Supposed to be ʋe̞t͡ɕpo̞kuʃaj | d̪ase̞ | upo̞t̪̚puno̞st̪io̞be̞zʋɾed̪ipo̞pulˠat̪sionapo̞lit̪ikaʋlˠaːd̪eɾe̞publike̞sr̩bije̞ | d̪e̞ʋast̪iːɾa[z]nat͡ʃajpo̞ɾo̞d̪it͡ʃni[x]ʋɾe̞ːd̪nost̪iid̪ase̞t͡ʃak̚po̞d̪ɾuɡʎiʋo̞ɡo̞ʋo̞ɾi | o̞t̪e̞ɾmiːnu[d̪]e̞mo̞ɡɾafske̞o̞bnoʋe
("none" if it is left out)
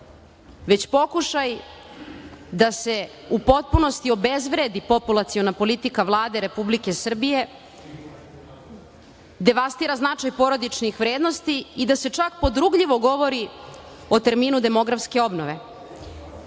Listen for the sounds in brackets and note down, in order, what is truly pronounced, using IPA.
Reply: z, x, d̪

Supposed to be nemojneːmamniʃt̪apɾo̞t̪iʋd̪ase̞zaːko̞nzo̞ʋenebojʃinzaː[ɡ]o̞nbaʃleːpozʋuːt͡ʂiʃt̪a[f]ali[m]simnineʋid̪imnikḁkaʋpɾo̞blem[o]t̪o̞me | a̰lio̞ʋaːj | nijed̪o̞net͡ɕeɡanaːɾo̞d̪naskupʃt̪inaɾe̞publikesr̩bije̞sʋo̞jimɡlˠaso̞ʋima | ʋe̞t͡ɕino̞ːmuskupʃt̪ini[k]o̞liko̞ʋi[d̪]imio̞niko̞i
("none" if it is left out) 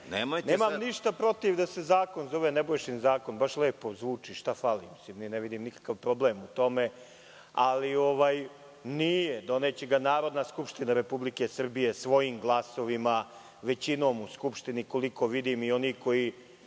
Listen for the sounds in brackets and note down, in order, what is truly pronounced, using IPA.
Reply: k, f, m, u, k, d̪

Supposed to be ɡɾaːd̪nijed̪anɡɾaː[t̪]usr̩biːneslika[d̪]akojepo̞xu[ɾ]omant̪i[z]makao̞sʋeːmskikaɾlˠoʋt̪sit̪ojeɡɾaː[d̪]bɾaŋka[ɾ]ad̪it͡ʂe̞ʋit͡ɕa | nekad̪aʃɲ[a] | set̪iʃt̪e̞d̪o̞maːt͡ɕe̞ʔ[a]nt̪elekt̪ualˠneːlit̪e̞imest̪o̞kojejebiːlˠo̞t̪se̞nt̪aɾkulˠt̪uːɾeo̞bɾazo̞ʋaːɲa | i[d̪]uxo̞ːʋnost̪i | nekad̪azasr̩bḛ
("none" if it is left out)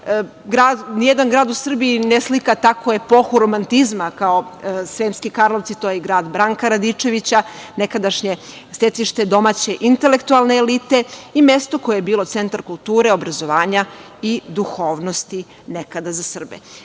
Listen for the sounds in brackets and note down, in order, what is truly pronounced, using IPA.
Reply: d̪, t̪, ɾ, z, d̪, ɾ, e, i, d̪

